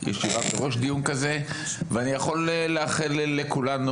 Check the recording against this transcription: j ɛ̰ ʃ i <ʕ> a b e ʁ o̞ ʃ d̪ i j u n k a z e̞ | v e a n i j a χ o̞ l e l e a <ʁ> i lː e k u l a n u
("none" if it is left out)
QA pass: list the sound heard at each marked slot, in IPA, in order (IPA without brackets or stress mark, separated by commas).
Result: v, χ